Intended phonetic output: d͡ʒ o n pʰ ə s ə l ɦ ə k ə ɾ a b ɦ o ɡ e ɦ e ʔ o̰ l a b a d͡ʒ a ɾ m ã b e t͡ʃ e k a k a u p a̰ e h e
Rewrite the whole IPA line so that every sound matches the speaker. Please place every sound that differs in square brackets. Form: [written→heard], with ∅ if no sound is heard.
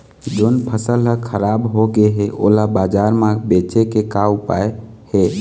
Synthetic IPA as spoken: d͡ʒ o n pʰ ə s ə l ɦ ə [k→kʰ] ə ɾ a b ɦ o ɡ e ɦ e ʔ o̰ l a b a d͡ʒ a ɾ m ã b e t͡ʃ e k [a→e] k a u p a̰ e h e